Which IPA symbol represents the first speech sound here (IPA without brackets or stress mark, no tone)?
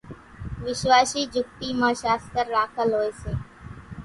ʋ